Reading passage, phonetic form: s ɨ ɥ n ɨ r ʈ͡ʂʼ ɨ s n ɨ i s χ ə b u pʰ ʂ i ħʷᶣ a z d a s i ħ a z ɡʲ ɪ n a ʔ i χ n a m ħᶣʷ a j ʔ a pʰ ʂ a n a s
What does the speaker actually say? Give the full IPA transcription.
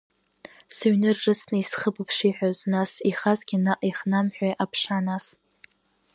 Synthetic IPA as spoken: s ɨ ɥ n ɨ r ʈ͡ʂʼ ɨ s n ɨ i s χ ə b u pʰ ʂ i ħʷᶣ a z n a s i χ a z ɡʲ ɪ n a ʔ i χ n a m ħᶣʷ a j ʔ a pʰ ʂ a n a s